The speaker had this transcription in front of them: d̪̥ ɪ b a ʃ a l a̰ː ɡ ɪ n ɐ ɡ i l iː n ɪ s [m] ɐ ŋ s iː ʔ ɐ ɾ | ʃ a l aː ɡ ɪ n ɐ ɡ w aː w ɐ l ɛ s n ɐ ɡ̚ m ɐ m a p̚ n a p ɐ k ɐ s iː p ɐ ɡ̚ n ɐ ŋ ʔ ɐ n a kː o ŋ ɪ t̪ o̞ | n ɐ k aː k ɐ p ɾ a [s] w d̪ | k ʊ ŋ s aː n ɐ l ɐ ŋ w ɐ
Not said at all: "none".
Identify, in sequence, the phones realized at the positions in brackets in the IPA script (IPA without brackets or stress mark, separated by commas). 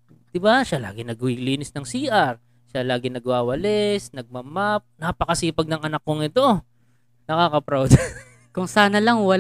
n, none